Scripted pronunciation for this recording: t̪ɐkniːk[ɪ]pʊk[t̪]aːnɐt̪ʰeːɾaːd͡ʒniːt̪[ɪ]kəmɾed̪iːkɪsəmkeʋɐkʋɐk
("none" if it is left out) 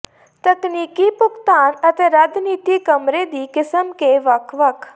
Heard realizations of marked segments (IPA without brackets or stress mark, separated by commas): i, t̪, i